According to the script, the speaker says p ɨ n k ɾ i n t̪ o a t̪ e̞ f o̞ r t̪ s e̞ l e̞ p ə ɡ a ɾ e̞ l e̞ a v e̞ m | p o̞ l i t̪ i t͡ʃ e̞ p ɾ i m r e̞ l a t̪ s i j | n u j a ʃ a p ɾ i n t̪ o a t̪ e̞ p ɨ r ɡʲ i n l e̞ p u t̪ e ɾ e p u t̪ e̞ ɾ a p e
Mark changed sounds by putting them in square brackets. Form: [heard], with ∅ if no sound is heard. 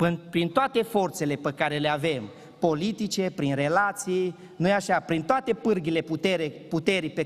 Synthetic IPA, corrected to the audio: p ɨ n [p] ɾ i n t̪ o a t̪ e̞ f o̞ r t̪ s e̞ l e̞ p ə [k] a ɾ e̞ l e̞ a v e̞ m | p o̞ l i t̪ i t͡ʃ e̞ p ɾ i [n] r e̞ l a t̪ s i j | n u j a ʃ a p ɾ i n t̪ o a t̪ e̞ p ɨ r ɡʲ i [∅] l e̞ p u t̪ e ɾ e p u t̪ e̞ ɾ [i] p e